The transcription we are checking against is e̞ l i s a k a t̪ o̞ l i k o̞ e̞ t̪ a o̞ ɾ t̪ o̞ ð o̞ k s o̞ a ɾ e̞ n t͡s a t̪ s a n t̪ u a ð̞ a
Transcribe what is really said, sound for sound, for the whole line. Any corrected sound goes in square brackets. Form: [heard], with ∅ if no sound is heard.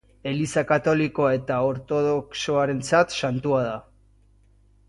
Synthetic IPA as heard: e̞ l i s a k a t̪ o̞ l i k o̞ e̞ t̪ a o̞ ɾ t̪ o̞ ð o̞ k s o̞ a ɾ e̞ n t͡s a t̪ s a n t̪ u a ð̞ a

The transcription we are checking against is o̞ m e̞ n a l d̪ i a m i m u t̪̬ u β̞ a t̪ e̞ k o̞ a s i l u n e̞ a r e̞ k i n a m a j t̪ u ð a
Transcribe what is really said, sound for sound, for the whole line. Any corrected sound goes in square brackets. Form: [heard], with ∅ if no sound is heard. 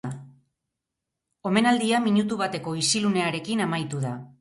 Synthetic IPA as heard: o̞ m e̞ n a l d̪ i a m i [ɲ] u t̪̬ u β̞ a t̪ e̞ k o̞ [i] s i l u n e̞ a [ɾ] e̞ k i n a m a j t̪ u ð a

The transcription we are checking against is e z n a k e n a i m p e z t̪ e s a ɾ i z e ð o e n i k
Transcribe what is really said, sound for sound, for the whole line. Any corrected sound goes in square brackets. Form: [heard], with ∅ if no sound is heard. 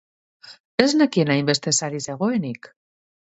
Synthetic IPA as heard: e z n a k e n a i m [b] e [s] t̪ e s a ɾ i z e [ɣ] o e n i k

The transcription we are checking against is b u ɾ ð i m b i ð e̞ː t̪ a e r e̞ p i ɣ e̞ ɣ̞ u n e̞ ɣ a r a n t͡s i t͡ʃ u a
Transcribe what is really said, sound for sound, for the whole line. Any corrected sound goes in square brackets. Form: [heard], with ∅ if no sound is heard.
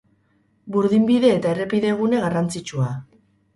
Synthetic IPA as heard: b u ɾ ð i m b i ð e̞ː t̪ a e r e̞ p i [ð] e̞ ɣ̞ u n e̞ ɣ a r a n t͡s i t͡ʃ u a

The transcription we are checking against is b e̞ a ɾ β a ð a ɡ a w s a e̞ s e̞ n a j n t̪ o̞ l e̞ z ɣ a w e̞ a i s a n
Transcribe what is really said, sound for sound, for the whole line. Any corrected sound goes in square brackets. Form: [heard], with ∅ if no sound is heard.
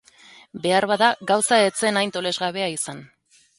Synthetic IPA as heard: b e̞ a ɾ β a ð a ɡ a w s a e̞ [t͡s] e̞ n a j n t̪ o̞ l e̞ z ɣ a [β] e̞ a i s a n

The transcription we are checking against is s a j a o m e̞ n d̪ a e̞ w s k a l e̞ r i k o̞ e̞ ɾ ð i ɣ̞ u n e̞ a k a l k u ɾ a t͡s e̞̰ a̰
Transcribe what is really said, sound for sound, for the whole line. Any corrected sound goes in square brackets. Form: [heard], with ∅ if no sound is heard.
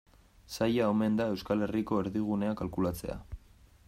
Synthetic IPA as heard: s a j a o m e̞ n d̪ a e̞ w s k a l e̞ r i k o̞ e̞ ɾ ð i ɣ̞ u n e̞ a k a l k u [l] a t͡s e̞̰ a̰

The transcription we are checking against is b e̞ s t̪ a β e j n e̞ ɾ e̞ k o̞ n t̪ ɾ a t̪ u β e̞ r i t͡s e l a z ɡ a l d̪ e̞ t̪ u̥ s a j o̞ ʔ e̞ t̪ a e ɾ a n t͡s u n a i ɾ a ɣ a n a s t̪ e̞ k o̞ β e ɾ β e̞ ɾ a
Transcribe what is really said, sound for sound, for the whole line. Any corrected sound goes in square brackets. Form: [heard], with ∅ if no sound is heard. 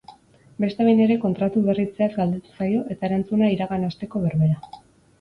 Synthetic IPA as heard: b e̞ s t̪ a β e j n e̞ ɾ e̞ k o̞ n t̪ ɾ a t̪ u β e̞ r i t͡s e [∅] a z ɡ a l d̪ e̞ t̪ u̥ s a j o̞ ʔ e̞ t̪ a e ɾ a n t͡s u n a i ɾ a ɣ a n a s t̪ e̞ k o̞ β e ɾ β e̞ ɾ a

